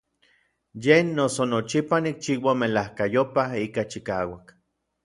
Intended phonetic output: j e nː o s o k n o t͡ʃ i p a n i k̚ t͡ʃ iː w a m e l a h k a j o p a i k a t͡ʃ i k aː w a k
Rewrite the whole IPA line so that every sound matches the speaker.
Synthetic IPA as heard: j e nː o s o n o t͡ʃ i p a n i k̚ t͡ʃ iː w a m e l a h k a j o p a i k a t͡ʃ i k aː w a k